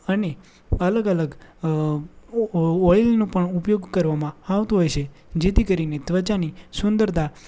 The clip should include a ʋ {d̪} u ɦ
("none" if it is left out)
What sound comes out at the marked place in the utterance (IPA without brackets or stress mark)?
t̪